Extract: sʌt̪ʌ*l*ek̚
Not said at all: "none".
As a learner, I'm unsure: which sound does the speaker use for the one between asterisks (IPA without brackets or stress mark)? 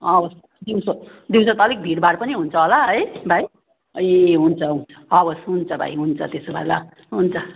l